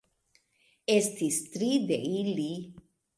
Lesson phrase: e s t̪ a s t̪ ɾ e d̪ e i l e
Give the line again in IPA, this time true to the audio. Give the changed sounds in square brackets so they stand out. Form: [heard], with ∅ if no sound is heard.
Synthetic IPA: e s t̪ [i] s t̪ ɾ [i] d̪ e i l [i]